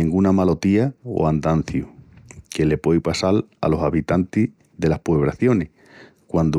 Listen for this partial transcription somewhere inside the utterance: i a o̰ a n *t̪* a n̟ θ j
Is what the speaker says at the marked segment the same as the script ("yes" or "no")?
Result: no